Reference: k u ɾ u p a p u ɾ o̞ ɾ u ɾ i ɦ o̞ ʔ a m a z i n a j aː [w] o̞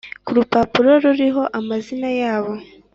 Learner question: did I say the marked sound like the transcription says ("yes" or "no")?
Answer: no